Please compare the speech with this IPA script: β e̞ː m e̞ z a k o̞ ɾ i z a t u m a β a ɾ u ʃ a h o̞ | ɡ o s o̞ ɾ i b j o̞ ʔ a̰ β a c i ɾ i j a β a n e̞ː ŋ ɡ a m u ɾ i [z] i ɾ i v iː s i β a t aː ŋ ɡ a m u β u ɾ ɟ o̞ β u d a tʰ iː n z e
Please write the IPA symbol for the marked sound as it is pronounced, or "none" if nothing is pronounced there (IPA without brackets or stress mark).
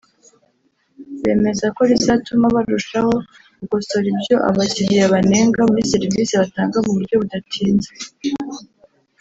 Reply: s